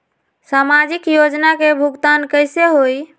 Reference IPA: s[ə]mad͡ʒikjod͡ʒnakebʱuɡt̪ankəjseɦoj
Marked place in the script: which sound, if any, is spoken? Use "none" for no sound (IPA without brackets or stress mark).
a